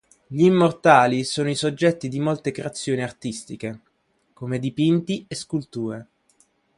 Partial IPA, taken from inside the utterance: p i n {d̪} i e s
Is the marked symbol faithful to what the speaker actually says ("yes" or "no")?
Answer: no